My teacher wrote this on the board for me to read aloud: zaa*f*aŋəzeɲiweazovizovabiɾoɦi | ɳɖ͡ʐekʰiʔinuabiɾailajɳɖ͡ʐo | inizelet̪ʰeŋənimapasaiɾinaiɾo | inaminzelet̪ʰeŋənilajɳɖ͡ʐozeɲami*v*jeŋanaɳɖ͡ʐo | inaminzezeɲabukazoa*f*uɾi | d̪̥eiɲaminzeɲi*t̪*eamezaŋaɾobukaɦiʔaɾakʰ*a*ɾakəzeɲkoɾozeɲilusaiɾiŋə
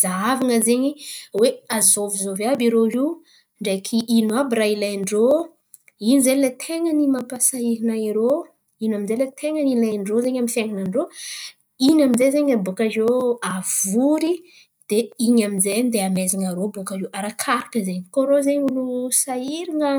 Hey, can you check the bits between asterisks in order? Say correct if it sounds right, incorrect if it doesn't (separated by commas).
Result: incorrect, incorrect, incorrect, incorrect, correct